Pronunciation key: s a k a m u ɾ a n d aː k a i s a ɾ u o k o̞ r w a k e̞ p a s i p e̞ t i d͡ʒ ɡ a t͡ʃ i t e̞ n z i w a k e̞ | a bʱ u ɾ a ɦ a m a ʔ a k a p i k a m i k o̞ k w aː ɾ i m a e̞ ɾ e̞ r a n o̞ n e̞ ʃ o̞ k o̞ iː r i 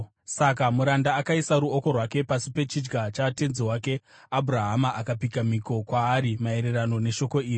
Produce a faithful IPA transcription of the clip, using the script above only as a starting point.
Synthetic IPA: s a k a m u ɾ a n d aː k a i s a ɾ u o k o̞ r w a k e̞ p a s i p e̞ t͡ʃ i d͡ʒ ɡ a t͡ʃ a t e̞ n z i w a k e̞ | a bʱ u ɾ a ɦ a m a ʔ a k a p i k a m i k o̞ k w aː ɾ i m a e̞ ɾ e̞ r a n o̞ n e̞ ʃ o̞ k o̞ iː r i